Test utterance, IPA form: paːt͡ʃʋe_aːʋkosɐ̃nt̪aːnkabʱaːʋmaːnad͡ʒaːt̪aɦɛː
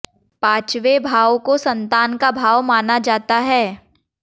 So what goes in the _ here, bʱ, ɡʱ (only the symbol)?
bʱ